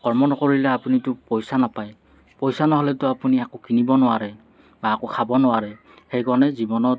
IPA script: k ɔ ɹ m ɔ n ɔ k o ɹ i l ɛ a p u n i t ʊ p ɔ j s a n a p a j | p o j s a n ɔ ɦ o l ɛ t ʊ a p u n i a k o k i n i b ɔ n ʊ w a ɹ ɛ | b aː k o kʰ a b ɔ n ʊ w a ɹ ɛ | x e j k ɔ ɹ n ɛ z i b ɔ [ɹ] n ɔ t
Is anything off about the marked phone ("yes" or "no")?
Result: yes